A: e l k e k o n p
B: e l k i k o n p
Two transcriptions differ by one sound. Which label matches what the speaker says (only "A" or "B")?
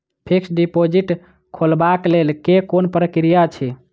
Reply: A